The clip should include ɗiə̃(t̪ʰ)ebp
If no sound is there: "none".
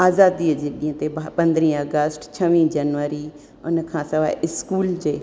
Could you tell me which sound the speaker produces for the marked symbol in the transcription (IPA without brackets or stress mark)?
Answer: t̪